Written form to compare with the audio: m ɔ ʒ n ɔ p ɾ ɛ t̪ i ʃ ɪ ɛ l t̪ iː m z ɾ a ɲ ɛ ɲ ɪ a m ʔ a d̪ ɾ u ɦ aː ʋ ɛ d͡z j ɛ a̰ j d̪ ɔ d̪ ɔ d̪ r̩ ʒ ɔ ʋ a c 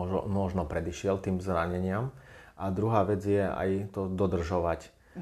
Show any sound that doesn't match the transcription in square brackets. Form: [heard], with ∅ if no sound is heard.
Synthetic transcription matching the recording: m ɔ ʒ n ɔ p ɾ ɛ [d̪] i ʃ ɪ ɛ l t̪ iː m z ɾ a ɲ ɛ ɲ ɪ a m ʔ a d̪ ɾ u ɦ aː ʋ ɛ d͡z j ɛ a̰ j [t̪] ɔ d̪ ɔ d̪ r̩ ʒ ɔ ʋ a c